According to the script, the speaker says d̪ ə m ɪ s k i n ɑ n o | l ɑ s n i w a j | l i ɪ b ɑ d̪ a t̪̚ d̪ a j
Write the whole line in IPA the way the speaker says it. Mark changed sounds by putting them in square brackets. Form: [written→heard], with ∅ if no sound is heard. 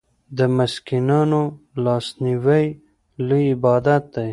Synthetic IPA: d̪ ə m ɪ s k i n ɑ n o | l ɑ s n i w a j | l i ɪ b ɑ d̪ a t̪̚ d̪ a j